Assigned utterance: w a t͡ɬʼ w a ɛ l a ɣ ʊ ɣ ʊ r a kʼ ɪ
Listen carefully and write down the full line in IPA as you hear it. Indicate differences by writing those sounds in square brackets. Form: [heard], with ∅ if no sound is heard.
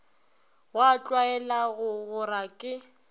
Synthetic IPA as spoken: w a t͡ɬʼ w a ɛ l a ɣ ʊ ɣ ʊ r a kʼ ɪ